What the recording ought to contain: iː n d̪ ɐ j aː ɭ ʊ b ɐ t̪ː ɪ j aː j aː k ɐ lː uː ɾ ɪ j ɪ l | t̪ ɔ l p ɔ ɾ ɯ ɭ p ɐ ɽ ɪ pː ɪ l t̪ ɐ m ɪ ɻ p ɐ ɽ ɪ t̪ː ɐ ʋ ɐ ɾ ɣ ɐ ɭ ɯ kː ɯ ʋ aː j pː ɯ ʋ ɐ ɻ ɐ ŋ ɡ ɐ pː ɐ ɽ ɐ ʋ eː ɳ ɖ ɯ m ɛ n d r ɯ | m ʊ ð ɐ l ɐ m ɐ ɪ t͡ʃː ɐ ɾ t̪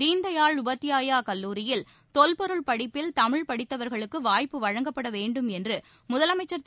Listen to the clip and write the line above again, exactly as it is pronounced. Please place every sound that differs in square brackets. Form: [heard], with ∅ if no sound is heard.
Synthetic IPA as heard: iː n d̪ ɐ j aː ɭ ʊ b ɐ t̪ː ɪ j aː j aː k ɐ lː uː ɾ ɪ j ɪ l | t̪ ɔ l p ɔ ɾ ɯ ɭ p ɐ ɽ ɪ pː ɪ l t̪ ɐ m ɪ ɻ p ɐ ɽ ɪ t̪ː ɐ ʋ ɐ ɾ ɣ ɐ ɭ ɯ kː ɯ ʋ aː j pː ɯ ʋ ɐ ɻ ɐ ŋ ɡ ɐ pː ɐ ɽ ɐ ʋ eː ɳ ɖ ɯ m ɛ n d r ɯ | m ʊ ð ɐ l ɐ m ɐ ɪ t͡ʃː ɐ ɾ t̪

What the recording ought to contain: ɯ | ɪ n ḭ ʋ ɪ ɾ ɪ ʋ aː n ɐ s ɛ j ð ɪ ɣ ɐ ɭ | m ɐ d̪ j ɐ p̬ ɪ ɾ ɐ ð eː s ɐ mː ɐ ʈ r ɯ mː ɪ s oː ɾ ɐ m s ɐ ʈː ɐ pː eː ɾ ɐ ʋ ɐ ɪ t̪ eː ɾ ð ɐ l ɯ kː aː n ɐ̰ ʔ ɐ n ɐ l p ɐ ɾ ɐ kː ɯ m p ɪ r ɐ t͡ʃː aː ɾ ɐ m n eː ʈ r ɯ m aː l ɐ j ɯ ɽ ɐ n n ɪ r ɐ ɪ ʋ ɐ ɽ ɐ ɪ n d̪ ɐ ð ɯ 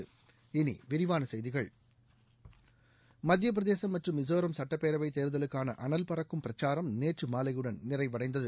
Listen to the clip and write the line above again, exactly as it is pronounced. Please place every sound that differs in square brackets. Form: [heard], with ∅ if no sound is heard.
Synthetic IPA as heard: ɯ | ɪ n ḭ ʋ ɪ ɾ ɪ ʋ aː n ɐ s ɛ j ð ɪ ɣ ɐ ɭ | m ɐ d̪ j ɐ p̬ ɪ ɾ ɐ ð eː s ɐ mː ɐ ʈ r ɯ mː ɪ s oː ɾ ɐ m s ɐ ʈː ɐ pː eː ɾ ɐ ʋ ɐ ɪ t̪ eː ɾ ð ɐ l ɯ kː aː n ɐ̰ ʔ ɐ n ɐ l p ɐ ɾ ɐ kː ɯ m p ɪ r ɐ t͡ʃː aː ɾ ɐ m n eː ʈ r ɯ m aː l ɐ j ɯ ɽ ɐ n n ɪ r ɐ ɪ ʋ ɐ ɽ ɐ ɪ n d̪ ɐ ð ɯ

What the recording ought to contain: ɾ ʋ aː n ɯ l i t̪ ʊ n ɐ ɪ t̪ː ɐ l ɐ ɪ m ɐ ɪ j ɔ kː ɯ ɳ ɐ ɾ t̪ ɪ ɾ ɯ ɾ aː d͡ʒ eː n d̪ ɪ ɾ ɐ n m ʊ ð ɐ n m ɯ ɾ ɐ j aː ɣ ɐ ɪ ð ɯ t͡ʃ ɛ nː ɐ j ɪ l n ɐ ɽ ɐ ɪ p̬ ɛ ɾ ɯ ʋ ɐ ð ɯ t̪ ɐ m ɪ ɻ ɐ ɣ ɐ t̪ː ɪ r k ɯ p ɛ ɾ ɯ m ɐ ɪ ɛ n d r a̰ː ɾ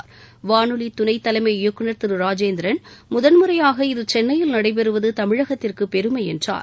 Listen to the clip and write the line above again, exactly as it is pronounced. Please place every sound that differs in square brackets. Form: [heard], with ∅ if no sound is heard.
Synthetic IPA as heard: ɾ ʋ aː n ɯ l i t̪ ʊ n ɐ ɪ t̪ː ɐ l ɐ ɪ m ɐ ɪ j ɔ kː ɯ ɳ ɐ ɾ t̪ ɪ ɾ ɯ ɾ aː d͡ʒ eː n d̪ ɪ ɾ ɐ n m ʊ ð ɐ n m ɯ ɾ ɐ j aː ɣ ɐ ɪ ð ɯ t͡ʃ ɛ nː ɐ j ɪ l n ɐ ɽ ɐ ɪ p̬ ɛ ɾ ɯ ʋ ɐ ð ɯ t̪ ɐ m ɪ ɻ ɐ ɣ ɐ t̪ː ɪ r k ɯ p ɛ ɾ ɯ m ɐ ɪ ɛ n d r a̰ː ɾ

